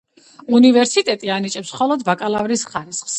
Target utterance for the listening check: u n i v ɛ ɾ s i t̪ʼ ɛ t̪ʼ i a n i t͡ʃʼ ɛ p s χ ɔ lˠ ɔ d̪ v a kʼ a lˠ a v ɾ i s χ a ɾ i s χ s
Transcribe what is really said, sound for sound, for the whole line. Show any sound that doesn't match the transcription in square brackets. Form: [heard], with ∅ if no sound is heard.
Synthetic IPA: u n i v ɛ ɾ s i t̪ʼ ɛ t̪ʼ i a n i t͡ʃʼ ɛ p s χ ɔ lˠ ɔ d̪ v a kʼ a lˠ a v ɾ i s χ a ɾ i s χ s